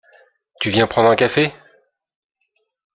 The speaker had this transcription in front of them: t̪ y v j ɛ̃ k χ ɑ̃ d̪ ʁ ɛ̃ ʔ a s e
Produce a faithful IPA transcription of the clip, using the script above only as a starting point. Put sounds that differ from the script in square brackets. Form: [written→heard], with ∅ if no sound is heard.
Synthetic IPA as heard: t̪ y v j ɛ̃ [k→p] χ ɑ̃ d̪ ʁ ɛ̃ [ʔ→k] a [s→f] e